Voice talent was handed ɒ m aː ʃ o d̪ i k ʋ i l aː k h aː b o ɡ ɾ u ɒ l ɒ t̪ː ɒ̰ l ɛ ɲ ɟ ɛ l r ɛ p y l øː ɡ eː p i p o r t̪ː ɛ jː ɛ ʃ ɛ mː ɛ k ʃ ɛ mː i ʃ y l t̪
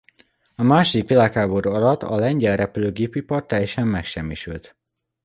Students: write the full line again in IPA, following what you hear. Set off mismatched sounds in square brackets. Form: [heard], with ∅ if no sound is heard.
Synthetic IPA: ɒ m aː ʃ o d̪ i k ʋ i l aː k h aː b o [∅] ɾ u ɒ l ɒ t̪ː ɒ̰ l ɛ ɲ ɟ ɛ l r ɛ p y l øː ɡ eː p i p [ɒ] r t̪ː ɛ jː ɛ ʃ ɛ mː ɛ k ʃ ɛ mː i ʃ y l t̪